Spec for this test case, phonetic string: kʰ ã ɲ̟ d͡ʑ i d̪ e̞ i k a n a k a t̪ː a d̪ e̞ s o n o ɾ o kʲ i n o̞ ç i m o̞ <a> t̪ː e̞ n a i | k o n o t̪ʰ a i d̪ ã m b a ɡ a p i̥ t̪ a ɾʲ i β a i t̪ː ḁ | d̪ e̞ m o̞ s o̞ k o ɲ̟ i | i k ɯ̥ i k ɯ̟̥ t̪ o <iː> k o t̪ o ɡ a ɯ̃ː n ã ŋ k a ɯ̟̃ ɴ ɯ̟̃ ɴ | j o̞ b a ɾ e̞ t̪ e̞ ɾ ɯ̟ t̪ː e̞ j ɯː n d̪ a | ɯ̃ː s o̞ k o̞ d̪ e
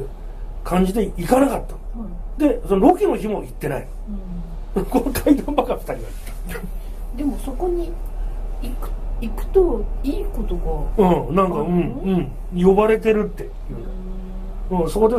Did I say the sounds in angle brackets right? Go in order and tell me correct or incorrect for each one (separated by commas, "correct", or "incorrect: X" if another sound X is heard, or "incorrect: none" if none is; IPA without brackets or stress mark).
incorrect: i, correct